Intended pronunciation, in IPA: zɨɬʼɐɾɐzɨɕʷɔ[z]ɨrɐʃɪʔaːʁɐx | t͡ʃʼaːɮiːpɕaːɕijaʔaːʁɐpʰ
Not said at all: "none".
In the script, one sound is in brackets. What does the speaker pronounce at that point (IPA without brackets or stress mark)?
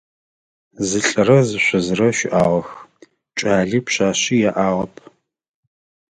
z